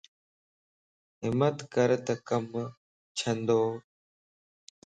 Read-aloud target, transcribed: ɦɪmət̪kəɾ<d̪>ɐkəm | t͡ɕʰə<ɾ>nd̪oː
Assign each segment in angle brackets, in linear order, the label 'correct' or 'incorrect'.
incorrect, incorrect

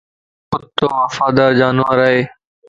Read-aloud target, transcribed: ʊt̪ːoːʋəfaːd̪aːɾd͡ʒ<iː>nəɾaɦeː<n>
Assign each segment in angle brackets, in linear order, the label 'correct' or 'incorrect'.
incorrect, incorrect

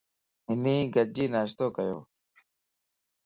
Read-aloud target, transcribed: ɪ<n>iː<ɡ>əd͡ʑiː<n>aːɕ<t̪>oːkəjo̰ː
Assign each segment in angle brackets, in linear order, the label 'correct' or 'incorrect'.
correct, correct, correct, correct

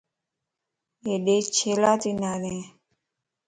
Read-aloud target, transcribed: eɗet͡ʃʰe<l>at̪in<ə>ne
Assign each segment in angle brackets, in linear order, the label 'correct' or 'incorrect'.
correct, incorrect

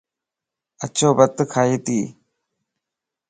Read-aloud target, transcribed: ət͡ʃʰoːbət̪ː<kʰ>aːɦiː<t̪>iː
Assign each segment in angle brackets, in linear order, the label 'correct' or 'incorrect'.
correct, correct

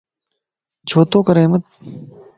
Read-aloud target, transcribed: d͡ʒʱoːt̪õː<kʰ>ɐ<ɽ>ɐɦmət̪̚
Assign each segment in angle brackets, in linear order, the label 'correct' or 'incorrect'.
incorrect, incorrect

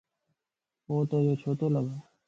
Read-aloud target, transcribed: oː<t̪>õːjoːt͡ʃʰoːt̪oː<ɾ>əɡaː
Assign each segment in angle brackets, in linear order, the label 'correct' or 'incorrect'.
correct, incorrect

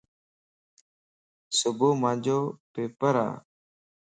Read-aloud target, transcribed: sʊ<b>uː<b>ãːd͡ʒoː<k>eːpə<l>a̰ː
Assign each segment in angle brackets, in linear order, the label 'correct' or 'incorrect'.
correct, incorrect, incorrect, incorrect

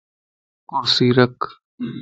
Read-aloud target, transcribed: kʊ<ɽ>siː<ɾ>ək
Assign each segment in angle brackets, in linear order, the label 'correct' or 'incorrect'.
incorrect, correct

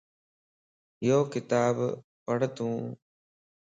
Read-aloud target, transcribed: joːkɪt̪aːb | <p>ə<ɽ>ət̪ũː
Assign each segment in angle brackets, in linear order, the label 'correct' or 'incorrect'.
correct, correct

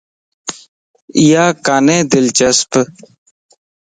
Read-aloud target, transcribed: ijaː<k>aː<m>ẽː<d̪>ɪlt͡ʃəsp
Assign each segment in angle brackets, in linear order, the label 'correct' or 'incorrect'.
correct, incorrect, correct

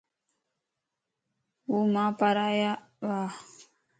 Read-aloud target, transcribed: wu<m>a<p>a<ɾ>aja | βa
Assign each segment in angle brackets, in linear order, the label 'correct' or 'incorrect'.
correct, correct, correct

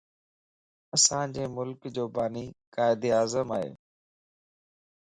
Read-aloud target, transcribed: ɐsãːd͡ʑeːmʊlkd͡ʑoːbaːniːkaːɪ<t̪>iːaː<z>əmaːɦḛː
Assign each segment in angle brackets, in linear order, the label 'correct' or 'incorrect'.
incorrect, correct

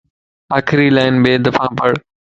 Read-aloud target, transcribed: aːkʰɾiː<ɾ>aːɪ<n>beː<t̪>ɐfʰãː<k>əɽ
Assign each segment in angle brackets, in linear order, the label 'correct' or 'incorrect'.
incorrect, correct, incorrect, incorrect

